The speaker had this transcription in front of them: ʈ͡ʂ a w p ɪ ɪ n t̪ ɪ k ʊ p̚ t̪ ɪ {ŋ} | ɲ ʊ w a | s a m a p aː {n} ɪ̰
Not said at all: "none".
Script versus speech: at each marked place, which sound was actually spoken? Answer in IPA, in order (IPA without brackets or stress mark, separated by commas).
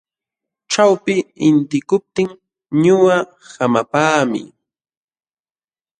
ŋ, m